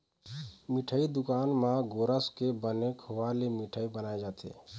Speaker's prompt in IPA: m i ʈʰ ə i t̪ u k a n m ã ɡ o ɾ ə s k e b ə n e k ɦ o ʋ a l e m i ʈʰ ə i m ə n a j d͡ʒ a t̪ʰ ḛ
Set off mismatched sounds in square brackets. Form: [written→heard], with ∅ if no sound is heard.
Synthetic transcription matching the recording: m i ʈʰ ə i [t̪→d̪] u k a n m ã ɡ o ɾ ə s k e b ə n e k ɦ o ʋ a l e m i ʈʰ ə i [m→b] ə n a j d͡ʒ a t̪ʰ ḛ